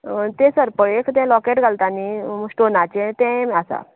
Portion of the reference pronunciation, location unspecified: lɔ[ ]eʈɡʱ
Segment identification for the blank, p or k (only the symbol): k